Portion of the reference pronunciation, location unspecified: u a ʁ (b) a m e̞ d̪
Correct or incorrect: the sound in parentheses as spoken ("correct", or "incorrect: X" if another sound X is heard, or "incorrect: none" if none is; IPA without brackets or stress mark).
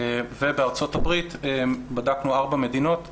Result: correct